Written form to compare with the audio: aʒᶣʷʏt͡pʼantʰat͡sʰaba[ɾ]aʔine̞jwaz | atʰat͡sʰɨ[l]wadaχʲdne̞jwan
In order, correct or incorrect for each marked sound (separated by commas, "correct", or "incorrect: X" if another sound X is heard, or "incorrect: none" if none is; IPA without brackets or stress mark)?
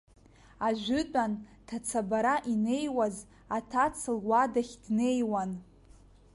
correct, correct